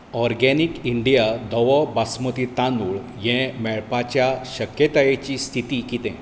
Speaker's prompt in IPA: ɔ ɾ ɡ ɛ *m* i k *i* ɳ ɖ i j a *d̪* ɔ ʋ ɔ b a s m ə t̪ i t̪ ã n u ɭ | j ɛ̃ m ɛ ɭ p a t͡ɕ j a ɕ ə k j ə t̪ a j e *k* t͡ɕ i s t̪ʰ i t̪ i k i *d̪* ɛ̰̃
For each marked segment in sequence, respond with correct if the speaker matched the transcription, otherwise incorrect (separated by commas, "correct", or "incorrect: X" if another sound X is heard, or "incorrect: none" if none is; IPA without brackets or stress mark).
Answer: incorrect: n, correct, correct, incorrect: none, incorrect: t̪